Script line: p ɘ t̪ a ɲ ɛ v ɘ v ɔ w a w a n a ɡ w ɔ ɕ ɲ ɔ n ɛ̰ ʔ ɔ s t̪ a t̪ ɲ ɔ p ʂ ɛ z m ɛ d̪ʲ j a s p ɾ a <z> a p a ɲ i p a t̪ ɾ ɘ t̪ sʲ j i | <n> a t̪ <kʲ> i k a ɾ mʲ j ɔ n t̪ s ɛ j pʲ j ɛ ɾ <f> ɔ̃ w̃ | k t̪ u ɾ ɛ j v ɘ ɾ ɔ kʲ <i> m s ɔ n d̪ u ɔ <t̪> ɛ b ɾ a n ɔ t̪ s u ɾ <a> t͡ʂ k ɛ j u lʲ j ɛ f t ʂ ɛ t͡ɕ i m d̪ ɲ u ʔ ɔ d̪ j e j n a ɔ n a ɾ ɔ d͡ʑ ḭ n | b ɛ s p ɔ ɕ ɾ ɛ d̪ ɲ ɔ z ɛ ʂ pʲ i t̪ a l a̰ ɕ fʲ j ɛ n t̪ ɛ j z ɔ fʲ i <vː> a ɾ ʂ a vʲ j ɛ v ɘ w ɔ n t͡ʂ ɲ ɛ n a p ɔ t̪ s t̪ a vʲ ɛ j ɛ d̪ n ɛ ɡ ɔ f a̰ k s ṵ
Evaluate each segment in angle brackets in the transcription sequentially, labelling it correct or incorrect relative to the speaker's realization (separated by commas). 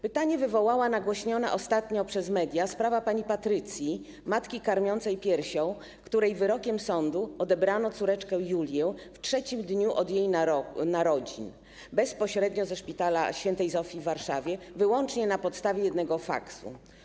incorrect, incorrect, correct, incorrect, incorrect, incorrect, incorrect, correct